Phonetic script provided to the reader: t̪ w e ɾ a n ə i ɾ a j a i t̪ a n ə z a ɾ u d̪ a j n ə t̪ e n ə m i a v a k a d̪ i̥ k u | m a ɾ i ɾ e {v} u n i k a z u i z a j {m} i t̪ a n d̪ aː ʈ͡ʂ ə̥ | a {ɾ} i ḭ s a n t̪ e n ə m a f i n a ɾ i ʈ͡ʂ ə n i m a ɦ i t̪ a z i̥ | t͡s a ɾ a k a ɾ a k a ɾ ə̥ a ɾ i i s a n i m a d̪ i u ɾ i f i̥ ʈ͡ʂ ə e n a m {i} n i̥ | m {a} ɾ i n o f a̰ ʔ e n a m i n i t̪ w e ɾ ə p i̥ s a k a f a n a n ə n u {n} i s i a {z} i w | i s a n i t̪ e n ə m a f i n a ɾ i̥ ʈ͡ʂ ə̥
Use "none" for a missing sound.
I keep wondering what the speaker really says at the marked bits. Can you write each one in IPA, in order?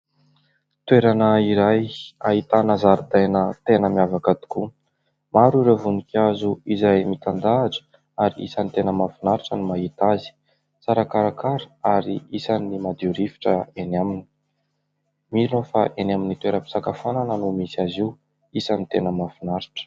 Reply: v, m, ɾ, i, i, m, z

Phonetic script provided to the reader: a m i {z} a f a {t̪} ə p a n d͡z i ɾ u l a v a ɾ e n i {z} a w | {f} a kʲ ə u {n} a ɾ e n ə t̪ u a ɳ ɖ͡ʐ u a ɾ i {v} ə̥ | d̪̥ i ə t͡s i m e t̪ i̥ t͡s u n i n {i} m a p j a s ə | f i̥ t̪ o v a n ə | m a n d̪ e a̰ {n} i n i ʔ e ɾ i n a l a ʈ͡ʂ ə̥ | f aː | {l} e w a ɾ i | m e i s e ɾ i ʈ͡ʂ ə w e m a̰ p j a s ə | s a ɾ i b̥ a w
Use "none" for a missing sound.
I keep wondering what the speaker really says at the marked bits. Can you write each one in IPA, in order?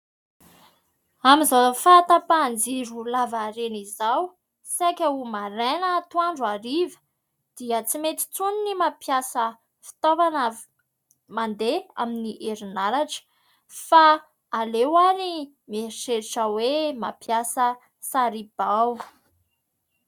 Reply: z, t̪, z, s, m, v, i, m, l

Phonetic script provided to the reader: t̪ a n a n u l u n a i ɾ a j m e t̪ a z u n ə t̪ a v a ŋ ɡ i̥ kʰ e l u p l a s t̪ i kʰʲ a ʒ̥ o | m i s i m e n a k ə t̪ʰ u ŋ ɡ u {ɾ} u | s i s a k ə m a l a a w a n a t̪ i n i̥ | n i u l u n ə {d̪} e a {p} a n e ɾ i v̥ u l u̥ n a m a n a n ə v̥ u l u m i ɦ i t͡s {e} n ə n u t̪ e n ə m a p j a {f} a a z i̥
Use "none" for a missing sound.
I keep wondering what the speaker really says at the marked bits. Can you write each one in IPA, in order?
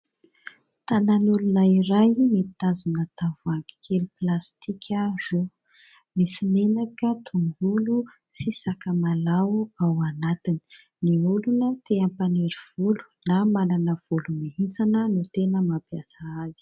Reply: l, t̪, p, a, s

